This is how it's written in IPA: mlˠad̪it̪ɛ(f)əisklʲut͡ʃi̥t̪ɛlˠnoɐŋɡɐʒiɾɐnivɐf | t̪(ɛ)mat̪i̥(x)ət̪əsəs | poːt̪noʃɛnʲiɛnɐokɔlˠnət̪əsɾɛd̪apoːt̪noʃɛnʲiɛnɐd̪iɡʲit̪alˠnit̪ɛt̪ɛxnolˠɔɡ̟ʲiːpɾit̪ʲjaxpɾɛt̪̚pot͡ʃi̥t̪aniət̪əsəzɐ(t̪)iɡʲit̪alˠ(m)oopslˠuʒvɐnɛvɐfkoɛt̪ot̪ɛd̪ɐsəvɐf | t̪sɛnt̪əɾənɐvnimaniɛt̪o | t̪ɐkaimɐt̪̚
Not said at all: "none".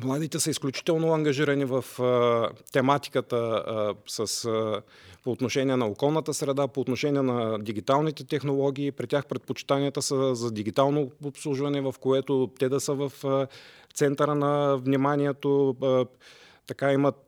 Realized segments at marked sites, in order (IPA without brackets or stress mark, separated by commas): s, ɛ, k, d̪, n